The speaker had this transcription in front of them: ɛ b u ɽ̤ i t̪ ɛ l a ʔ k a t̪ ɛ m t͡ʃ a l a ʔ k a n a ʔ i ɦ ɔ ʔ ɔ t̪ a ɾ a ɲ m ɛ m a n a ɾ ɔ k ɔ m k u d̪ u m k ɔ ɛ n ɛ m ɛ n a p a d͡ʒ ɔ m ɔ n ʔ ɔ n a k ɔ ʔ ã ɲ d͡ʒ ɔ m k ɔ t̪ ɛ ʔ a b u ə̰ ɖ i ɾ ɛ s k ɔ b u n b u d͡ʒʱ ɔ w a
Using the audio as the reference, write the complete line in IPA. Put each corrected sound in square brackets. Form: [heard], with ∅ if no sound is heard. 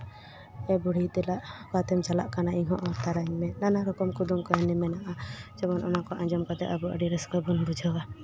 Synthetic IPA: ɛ b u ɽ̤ i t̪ ɛ l a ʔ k a t̪ ɛ m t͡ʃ a l a ʔ k a n a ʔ i ɦ ɔ ʔ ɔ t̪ a ɾ a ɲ m ɛ [n] a n a ɾ ɔ k ɔ m k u d̪ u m k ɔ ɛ n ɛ m ɛ n a [ʔ] a d͡ʒ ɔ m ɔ n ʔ ɔ n a k ɔ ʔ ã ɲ d͡ʒ ɔ m k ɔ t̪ ɛ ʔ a b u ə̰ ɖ i ɾ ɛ s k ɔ b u n b u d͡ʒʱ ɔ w a